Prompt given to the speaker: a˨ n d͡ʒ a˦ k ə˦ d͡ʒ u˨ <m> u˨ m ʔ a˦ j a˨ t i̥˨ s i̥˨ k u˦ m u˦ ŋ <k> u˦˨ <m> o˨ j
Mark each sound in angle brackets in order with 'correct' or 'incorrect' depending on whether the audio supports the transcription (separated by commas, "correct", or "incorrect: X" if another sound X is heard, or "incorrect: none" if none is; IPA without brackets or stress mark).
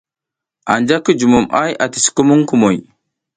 correct, correct, correct